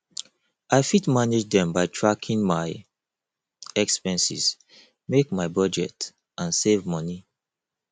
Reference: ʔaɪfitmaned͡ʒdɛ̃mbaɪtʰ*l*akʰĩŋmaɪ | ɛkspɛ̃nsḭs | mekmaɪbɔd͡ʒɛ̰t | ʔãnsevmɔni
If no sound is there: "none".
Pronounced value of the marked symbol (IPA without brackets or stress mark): ɹ